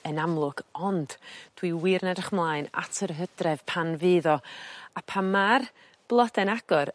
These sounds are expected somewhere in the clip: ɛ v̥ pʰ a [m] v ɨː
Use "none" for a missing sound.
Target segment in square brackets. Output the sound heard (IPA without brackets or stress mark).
n